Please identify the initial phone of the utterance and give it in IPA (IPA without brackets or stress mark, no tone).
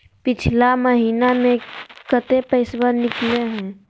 p